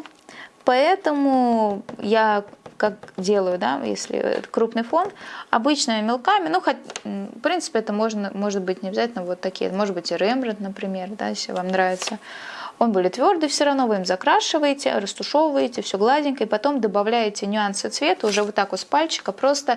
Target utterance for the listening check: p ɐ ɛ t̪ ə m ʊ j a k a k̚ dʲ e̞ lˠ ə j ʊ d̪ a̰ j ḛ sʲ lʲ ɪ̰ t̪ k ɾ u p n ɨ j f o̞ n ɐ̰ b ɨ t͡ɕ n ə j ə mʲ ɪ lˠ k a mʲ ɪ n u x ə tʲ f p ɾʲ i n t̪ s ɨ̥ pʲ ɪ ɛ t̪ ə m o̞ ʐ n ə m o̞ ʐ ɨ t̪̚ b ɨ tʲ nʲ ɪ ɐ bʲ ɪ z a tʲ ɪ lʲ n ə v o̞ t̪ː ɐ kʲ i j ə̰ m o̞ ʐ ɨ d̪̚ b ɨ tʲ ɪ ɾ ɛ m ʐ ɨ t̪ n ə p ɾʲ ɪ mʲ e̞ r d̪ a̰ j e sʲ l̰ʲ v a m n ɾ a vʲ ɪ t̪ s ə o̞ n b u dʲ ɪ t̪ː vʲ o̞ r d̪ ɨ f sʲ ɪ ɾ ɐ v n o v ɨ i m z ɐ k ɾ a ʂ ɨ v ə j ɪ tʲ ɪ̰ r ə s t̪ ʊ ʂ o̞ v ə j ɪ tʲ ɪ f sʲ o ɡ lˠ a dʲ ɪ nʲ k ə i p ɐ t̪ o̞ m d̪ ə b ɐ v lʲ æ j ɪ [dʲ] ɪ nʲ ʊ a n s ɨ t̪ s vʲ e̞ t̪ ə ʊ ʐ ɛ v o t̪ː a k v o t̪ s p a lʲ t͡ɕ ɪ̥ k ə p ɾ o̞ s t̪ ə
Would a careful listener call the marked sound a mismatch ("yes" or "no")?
yes